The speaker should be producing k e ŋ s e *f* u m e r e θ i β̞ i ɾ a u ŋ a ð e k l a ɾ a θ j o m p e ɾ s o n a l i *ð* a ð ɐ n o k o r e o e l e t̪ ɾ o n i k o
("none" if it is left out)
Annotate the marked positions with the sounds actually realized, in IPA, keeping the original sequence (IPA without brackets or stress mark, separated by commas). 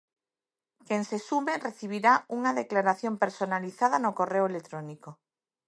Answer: s, θ